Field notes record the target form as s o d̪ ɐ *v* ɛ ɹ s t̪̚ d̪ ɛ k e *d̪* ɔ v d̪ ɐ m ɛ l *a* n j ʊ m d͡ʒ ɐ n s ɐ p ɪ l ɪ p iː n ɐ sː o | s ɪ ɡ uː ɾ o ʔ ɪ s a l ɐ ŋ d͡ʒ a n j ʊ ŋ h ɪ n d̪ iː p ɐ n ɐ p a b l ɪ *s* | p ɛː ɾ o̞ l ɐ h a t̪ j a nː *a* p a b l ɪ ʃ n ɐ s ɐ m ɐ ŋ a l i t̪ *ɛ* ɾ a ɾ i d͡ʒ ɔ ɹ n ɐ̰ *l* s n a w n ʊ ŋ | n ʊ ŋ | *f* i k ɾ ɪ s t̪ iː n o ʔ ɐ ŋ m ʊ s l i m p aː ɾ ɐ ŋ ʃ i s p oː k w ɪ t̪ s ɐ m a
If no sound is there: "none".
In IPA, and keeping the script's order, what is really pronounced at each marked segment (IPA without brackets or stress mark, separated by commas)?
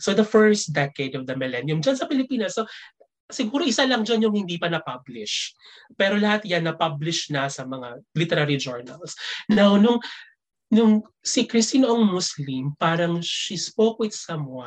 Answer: f, d̪, ɛ, ʃ, ɐ, ɛ, l, s